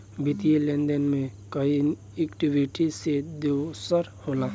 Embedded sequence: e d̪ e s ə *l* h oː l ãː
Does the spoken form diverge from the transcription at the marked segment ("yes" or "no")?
yes